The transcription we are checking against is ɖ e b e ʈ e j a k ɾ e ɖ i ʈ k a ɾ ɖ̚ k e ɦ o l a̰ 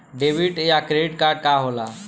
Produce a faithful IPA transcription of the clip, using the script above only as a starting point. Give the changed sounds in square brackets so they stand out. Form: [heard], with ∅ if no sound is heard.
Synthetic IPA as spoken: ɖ e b [i] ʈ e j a k ɾ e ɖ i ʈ k a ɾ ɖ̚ k [a] ɦ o l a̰

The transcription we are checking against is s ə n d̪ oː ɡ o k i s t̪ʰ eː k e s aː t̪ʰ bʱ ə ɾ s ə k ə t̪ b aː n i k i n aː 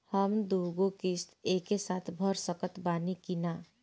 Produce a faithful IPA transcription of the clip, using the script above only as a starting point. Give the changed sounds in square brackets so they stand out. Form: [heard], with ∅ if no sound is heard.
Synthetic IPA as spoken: [h] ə [m] d̪ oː ɡ o k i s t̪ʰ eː k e s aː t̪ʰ bʱ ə ɾ s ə k ə t̪ b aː n i k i n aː

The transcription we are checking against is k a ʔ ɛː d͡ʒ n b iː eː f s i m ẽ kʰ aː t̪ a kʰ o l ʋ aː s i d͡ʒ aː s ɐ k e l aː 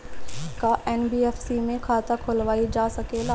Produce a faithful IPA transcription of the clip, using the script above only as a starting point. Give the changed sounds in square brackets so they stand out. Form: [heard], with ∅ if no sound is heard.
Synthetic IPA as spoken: k a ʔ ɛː [∅] n b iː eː f s i m ẽ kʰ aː t̪ a kʰ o l ʋ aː [∅] i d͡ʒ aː s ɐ k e l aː

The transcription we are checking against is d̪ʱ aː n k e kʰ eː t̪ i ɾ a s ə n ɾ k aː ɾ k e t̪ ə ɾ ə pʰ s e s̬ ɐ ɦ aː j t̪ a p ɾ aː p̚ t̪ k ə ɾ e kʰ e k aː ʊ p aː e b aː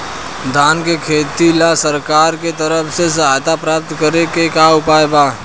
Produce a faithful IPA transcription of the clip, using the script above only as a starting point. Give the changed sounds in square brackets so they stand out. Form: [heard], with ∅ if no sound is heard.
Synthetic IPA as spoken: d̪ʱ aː n k e kʰ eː t̪ i [l] a s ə [∅] ɾ k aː ɾ k e t̪ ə ɾ ə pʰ s e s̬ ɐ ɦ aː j t̪ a p ɾ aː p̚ t̪ k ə ɾ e [k] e k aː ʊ p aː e b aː

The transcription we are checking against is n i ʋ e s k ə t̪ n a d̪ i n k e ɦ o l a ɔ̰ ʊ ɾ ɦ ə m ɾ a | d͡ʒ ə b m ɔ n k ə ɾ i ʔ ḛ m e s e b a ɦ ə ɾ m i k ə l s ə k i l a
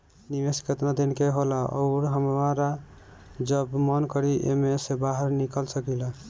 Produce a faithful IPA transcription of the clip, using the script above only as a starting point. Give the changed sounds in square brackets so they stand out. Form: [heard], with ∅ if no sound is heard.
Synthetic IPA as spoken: n i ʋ e s k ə t̪ n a d̪ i n k e ɦ o l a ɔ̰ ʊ ɾ ɦ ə m ɾ a | d͡ʒ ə b m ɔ n k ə ɾ i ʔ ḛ m e s e b a ɦ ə ɾ [n] i k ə l s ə k i l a

